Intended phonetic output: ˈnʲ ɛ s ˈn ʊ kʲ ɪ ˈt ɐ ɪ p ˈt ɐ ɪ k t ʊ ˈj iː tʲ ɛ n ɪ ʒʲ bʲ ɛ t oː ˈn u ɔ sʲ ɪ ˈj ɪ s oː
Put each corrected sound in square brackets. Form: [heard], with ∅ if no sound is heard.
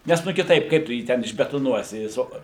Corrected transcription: ˈnʲ ɛ s ˈn ʊ kʲ ɪ ˈt ɐ ɪ p [ˈk] ɐ ɪ [p] t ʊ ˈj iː tʲ ɛ n ɪ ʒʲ bʲ ɛ t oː ˈn u ɔ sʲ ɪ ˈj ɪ s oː